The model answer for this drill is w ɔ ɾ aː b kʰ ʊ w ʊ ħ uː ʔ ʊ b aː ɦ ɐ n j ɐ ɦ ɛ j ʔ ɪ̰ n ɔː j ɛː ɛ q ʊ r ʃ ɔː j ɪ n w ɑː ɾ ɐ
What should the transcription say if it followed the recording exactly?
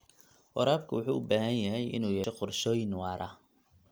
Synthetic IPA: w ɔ ɾ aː b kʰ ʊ w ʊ ħ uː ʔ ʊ b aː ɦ ɐ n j ɐ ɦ ɛ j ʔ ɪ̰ n uː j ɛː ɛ q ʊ r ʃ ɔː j ɪ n w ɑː ɾ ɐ